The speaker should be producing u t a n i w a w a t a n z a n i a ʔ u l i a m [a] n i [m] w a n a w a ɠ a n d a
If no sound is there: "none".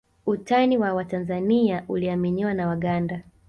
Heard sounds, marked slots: i, none

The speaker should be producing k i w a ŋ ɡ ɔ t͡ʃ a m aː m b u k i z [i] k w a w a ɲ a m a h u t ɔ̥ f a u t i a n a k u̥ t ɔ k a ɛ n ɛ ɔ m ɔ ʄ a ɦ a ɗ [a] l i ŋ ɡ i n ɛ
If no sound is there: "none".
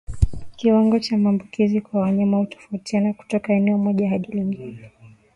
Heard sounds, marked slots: i, i

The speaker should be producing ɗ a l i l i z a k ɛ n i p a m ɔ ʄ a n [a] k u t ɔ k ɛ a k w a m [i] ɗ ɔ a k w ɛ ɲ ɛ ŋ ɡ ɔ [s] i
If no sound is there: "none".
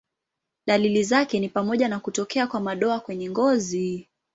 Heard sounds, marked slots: a, a, z

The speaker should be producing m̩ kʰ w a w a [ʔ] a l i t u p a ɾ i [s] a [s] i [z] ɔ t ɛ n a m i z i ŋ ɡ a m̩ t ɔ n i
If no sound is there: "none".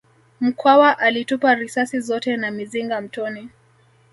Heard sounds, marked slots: ʔ, s, s, z

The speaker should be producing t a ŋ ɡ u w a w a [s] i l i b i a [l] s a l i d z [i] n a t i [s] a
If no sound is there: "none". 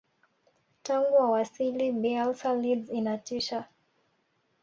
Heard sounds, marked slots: s, l, i, ʃ

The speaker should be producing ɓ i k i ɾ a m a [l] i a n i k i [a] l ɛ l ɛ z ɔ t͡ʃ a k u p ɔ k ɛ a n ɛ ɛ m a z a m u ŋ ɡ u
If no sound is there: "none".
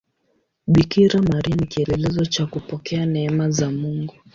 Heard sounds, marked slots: ɾ, ɛ

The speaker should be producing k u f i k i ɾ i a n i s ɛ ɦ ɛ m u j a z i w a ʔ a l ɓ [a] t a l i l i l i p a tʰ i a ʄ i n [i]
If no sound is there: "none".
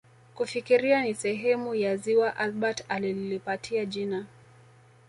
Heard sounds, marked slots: a, a

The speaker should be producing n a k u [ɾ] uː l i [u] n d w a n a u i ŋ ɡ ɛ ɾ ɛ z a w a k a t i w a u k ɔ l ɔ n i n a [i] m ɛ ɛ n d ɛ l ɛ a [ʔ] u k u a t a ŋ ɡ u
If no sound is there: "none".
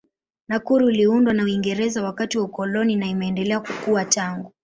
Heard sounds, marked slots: ɾ, u, i, k

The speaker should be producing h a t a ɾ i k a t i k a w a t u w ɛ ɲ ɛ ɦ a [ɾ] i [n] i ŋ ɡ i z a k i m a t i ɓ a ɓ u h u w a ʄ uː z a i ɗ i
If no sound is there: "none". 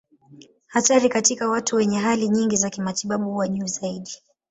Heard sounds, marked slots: l, ɲ

